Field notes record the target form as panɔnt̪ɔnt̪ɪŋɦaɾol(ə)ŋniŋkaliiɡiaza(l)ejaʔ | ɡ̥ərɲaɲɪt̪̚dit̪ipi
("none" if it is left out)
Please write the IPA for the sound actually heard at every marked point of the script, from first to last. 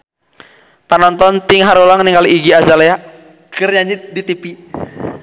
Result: a, l

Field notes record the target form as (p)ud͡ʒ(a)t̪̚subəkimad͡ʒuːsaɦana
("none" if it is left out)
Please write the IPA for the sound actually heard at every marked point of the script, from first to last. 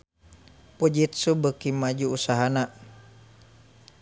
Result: p, i

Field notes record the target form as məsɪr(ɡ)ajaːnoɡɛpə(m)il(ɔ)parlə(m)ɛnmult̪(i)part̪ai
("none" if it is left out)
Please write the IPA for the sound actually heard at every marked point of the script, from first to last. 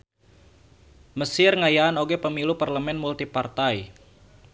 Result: ŋ, m, u, m, i

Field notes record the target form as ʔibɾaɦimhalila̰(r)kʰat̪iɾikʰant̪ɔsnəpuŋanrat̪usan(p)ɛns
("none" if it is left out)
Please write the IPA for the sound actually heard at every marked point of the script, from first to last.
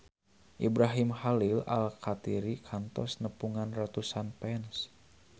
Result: l, p

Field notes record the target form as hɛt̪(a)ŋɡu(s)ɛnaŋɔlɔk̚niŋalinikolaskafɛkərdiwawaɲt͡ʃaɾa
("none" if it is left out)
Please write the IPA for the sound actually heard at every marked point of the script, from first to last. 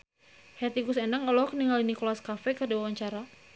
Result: i, s

